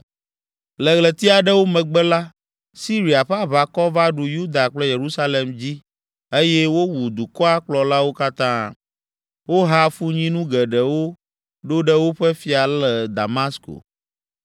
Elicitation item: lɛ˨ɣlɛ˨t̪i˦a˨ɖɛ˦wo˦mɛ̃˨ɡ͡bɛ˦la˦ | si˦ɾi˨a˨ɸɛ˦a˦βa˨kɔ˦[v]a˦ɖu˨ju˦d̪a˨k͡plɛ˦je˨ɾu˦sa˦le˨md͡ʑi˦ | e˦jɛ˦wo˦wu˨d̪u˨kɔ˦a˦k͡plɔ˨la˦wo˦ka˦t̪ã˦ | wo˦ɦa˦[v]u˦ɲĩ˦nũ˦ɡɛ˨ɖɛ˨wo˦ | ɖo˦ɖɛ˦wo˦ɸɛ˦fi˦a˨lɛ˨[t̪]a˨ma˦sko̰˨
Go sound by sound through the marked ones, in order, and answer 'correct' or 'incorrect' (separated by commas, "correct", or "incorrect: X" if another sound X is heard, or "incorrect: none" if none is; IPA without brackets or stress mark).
correct, incorrect: f, incorrect: d̪